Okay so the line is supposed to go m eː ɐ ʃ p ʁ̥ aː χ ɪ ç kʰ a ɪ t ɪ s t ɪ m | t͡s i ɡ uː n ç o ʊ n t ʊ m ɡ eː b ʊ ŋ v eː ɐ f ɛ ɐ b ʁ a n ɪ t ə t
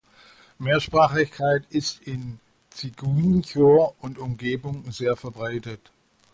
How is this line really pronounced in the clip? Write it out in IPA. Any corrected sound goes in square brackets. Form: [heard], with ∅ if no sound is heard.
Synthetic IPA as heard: m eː ɐ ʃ p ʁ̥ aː χ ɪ ç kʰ a ɪ t ɪ s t ɪ [n] | t͡s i ɡ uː n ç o ʊ n t ʊ m ɡ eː b ʊ ŋ [z] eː ɐ f ɛ ɐ b ʁ a [∅] ɪ t ə t